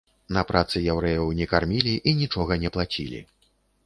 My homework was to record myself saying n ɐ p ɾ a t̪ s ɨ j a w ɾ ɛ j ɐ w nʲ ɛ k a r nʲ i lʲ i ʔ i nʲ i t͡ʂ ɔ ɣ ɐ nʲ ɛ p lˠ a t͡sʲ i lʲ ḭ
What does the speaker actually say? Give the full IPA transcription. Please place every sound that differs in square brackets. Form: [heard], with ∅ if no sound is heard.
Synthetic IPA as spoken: n ɐ p ɾ a t̪ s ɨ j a w ɾ ɛ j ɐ w nʲ ɛ k a r [mʲ] i lʲ i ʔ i nʲ i t͡ʂ ɔ ɣ ɐ nʲ ɛ p lˠ a t͡sʲ i lʲ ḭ